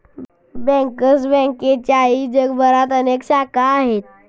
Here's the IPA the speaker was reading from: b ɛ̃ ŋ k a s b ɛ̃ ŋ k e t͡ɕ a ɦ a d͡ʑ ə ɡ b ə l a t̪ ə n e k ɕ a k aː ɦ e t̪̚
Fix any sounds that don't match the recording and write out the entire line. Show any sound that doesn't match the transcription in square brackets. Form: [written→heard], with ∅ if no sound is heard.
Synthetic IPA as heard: b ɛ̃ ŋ k [a→ə] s b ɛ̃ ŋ k e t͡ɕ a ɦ [a→i] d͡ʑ ə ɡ b ə [l→ɾ] a t̪ ə n e k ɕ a k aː ɦ e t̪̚